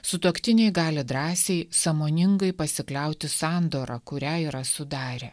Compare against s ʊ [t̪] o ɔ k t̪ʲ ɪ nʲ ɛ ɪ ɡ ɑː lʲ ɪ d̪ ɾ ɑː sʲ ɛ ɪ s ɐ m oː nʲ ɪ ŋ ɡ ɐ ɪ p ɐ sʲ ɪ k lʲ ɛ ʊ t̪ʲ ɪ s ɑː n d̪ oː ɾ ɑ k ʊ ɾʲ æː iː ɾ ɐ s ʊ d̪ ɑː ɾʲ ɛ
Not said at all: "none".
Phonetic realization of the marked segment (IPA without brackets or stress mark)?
t̪